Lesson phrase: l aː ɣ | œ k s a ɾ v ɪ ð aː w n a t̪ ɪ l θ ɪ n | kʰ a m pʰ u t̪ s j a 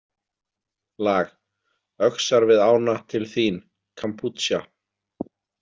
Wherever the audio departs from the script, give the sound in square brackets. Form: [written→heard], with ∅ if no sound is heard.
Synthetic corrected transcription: l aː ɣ | œ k s a ɾ v ɪ ð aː w n a [t̪→t̪ʰ] ɪ l θ [ɪ→i] n | kʰ a m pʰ u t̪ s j a